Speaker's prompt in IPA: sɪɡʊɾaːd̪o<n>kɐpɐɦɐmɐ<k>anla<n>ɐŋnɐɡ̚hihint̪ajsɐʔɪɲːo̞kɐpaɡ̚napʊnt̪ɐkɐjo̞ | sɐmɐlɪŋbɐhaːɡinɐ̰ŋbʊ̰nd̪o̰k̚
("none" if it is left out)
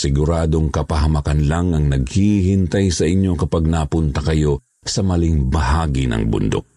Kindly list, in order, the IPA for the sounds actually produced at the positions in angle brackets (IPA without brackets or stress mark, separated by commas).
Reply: ŋ, k, ŋ